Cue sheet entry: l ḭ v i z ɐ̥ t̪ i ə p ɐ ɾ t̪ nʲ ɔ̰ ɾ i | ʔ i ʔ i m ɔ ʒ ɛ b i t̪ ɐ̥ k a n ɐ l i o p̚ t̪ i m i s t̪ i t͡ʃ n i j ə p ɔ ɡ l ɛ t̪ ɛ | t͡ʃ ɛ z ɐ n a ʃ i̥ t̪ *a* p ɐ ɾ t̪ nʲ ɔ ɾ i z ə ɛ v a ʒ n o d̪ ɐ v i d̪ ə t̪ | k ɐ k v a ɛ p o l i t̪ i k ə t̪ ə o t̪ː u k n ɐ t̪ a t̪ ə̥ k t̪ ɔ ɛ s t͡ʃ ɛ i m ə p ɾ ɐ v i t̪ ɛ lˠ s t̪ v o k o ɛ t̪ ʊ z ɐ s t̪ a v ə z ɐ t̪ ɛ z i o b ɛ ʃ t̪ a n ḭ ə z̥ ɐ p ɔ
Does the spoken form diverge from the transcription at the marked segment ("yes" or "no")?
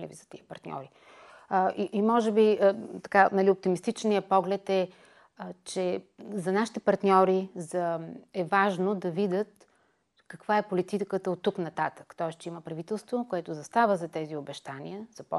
yes